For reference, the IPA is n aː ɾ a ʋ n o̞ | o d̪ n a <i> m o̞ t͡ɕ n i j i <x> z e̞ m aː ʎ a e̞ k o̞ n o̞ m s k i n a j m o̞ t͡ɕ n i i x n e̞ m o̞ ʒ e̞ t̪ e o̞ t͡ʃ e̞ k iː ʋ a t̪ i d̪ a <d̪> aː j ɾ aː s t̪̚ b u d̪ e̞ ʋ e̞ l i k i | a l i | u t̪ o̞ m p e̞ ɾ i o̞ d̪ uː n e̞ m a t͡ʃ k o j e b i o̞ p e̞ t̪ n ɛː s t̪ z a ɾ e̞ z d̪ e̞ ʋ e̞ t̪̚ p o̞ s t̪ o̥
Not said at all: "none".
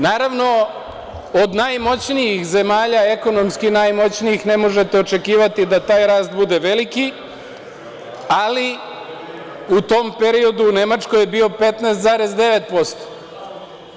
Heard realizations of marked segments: j, x, t̪

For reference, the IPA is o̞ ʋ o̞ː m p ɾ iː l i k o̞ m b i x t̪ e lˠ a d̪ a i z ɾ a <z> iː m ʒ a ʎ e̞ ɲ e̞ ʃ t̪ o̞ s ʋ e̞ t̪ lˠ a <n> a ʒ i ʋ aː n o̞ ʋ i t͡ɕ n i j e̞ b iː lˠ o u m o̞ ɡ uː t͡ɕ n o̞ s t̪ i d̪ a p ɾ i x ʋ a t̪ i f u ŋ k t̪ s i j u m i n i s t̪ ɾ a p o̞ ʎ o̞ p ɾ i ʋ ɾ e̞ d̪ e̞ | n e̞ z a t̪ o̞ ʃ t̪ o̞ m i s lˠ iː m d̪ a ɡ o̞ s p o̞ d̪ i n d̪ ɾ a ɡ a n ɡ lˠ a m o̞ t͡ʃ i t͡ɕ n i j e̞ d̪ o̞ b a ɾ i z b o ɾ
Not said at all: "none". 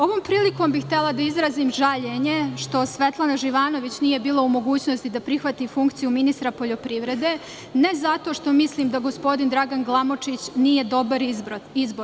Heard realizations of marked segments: z, n

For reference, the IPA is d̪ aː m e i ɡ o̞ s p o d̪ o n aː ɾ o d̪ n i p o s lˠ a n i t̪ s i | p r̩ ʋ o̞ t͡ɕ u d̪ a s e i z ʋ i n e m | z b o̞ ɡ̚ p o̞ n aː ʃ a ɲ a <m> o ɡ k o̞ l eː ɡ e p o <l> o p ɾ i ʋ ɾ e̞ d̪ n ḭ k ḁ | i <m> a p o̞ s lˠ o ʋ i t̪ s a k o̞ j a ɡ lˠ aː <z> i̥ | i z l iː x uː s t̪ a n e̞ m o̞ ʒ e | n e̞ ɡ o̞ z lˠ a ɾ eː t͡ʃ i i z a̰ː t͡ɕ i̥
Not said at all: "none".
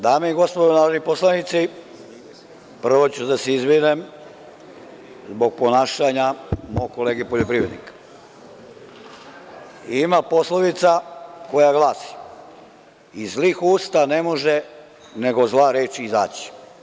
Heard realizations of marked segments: m, ʎ, m, s

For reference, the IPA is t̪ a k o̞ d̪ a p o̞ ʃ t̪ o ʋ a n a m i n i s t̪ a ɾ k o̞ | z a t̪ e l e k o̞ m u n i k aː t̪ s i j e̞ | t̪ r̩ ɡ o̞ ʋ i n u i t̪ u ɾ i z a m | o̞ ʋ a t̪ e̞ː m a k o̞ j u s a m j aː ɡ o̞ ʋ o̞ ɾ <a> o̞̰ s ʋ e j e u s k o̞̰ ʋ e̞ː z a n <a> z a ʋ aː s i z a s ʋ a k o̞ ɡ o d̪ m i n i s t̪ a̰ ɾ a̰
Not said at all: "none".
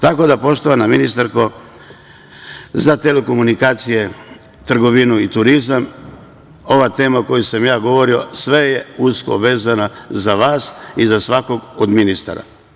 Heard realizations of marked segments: i, a

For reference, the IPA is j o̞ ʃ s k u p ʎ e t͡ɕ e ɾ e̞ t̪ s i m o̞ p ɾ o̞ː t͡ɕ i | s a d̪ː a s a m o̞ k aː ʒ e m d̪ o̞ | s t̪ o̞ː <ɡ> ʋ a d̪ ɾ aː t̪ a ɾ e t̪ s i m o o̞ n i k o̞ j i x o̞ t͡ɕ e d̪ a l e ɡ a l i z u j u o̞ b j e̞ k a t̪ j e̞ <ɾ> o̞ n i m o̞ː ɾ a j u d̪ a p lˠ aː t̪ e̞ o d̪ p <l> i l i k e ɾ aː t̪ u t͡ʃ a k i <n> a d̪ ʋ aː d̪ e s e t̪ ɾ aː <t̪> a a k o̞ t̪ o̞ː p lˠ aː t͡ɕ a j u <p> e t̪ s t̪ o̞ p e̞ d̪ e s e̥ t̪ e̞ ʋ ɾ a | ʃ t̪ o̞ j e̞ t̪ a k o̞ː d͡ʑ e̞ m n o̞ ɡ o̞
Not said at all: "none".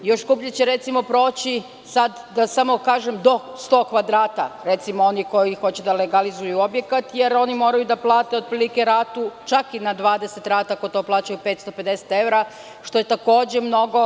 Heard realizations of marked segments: k, ɾ, ɾ, n, t̪, p

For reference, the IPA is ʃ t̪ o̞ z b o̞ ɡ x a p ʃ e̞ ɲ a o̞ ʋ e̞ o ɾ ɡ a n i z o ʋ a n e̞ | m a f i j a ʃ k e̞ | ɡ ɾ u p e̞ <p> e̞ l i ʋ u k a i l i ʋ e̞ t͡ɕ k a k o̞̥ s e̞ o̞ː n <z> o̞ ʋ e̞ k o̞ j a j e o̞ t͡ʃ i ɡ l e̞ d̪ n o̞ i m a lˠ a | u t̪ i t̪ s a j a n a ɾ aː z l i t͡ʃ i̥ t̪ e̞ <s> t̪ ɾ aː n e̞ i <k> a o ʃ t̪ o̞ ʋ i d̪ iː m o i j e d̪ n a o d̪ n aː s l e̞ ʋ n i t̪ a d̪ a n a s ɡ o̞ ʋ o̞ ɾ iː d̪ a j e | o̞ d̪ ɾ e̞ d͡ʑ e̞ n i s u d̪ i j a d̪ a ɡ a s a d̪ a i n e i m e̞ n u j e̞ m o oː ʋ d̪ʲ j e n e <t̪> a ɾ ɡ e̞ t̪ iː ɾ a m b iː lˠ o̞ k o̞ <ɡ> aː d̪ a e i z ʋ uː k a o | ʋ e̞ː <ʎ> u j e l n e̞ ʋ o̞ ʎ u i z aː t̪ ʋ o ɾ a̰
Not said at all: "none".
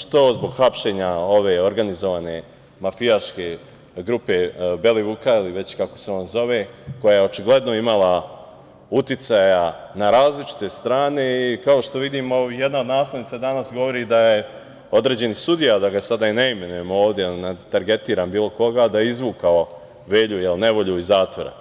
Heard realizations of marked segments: b, z, s, k, t̪, ɡ, ʎ

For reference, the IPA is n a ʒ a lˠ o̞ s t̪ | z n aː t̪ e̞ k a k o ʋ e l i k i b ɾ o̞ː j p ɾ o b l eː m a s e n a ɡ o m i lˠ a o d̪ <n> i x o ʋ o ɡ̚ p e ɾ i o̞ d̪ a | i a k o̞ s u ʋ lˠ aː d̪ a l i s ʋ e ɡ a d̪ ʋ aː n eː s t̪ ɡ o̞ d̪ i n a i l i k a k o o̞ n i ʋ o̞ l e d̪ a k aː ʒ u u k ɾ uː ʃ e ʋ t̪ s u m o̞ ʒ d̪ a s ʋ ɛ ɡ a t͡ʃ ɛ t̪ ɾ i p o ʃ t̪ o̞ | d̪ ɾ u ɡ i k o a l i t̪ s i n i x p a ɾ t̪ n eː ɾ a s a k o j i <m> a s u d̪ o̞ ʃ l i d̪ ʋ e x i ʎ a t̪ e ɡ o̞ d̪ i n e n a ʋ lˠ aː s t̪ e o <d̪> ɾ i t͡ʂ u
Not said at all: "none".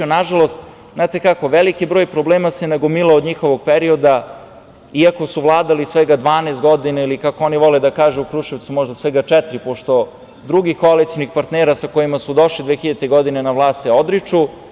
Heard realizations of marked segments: ɲ, m, d̪

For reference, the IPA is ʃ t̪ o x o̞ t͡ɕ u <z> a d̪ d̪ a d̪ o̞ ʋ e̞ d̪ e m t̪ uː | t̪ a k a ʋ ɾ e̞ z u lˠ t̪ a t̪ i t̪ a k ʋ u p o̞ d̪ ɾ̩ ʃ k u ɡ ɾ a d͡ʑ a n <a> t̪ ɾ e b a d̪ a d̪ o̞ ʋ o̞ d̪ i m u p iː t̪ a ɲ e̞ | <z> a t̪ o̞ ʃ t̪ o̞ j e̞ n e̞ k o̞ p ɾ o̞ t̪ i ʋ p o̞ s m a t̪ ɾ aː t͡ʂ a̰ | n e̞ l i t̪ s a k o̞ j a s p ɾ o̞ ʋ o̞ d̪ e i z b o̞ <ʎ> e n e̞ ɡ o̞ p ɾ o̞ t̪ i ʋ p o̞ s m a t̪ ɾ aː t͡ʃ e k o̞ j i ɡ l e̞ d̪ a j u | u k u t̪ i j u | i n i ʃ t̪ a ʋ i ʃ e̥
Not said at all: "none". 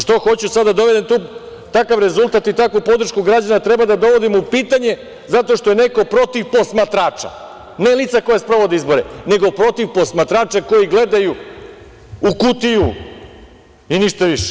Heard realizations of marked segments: s, a, z, ɾ

